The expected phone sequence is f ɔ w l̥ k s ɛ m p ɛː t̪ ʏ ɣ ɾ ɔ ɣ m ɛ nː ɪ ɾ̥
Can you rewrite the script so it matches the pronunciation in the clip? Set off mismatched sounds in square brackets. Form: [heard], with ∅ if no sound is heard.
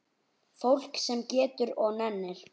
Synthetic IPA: f [o] w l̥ k s ɛ m [c] ɛː t̪ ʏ [∅] ɾ ɔ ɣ [n] ɛ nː ɪ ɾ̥